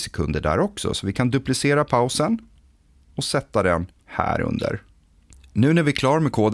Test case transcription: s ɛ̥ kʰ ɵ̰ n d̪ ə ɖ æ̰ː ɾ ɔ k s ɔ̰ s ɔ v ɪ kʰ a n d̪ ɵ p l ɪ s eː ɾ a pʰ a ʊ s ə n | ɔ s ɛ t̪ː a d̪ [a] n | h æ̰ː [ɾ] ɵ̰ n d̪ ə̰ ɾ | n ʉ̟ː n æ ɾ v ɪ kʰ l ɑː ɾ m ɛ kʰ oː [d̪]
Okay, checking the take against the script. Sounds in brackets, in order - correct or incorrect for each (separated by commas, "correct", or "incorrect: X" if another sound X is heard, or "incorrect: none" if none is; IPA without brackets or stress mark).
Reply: incorrect: ɛ, correct, correct